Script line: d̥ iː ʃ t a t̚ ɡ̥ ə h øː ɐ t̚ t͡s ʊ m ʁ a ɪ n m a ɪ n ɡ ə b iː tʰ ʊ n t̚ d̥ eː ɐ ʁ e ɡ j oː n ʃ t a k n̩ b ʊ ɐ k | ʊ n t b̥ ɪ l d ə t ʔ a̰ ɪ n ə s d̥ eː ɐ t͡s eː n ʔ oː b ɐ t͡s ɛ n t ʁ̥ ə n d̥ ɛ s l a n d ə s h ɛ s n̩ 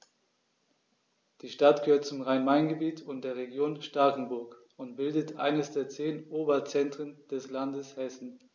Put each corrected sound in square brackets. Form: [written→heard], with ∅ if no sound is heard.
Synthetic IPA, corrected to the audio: d̥ iː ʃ t a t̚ ɡ̥ ə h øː ɐ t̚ t͡s ʊ m ʁ a ɪ n m a ɪ n ɡ ə b iː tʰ ʊ n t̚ d̥ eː ɐ ʁ e ɡ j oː n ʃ t a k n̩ b ʊ ɐ k | ʊ n t b̥ ɪ l d ə t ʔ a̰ ɪ n ə s d̥ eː ɐ t͡s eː n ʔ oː b ɐ t͡s ɛ n t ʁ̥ ə n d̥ ɛ s l a n d ə s h ɛ s n̩